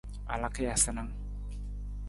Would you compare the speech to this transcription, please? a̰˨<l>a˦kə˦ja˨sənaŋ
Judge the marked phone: correct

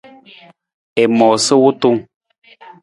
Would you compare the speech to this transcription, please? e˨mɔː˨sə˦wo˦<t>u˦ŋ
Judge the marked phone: correct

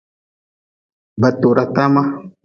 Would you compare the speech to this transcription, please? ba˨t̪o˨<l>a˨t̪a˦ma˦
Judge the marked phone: incorrect: ɾ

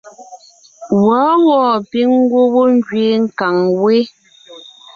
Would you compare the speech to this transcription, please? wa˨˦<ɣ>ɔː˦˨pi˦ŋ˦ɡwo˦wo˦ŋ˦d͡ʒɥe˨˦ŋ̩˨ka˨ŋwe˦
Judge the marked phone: incorrect: w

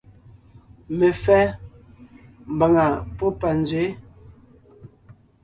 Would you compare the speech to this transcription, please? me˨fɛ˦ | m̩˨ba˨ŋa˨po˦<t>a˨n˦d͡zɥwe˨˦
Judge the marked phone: incorrect: p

